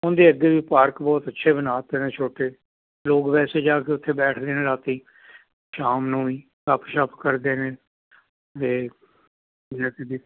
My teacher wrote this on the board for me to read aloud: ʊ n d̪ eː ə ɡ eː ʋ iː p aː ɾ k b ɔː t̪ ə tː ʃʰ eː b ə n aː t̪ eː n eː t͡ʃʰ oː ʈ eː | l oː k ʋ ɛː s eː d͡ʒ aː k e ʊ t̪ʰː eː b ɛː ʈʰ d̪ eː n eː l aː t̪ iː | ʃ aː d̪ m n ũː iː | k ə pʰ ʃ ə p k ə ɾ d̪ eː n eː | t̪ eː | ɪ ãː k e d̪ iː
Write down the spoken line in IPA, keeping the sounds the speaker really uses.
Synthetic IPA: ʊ n d̪ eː ə ɡ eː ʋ iː p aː ɾ k b ɔː t̪ ə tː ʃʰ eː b ə n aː t̪ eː n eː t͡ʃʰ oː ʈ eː | l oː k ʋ ɛː s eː d͡ʒ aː k e ʊ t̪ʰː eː b ɛː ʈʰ d̪ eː n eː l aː t̪ iː | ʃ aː m n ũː iː | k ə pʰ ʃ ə p k ə ɾ d̪ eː n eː | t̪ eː | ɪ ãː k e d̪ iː